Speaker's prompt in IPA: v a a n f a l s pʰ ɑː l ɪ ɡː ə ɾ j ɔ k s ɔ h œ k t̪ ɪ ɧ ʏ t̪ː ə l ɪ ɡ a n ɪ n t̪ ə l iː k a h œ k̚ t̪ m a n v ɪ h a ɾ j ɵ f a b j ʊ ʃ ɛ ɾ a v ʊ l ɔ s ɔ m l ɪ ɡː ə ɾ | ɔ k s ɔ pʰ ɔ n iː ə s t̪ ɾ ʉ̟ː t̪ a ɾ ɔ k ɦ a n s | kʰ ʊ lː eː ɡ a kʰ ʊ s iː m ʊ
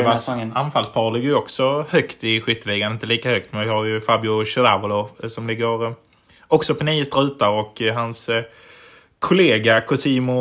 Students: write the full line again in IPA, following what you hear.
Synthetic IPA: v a a n f a l s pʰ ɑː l ɪ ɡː ə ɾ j ɔ k s ɔ h œ k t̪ ɪ ɧ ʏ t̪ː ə l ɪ ɡ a n ɪ n t̪ ə l iː k a h œ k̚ t̪ m ɛ n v ɪ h a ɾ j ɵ f a b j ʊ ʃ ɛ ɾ a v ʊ l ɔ s ɔ m l ɪ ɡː ə ɾ | ɔ k s ɔ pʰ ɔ n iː ə s t̪ ɾ ʉ̟ː t̪ a ɾ ɔ k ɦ a n s | kʰ ʊ l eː ɡ a kʰ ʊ s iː m ʊ